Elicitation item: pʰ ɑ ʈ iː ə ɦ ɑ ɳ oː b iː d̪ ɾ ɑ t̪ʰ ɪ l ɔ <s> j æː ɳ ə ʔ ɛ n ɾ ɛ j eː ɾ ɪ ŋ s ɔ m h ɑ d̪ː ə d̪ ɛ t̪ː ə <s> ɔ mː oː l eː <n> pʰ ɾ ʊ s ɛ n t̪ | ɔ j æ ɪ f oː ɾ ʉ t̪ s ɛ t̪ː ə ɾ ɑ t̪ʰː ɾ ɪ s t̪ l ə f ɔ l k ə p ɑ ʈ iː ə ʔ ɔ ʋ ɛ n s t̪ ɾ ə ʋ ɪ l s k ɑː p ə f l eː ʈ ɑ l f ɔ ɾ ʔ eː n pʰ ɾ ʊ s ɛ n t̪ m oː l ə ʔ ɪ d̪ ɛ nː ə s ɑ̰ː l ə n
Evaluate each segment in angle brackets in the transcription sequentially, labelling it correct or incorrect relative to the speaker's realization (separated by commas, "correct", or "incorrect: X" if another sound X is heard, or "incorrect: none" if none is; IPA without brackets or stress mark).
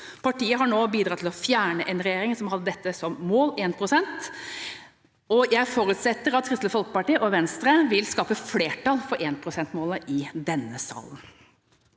incorrect: f, correct, correct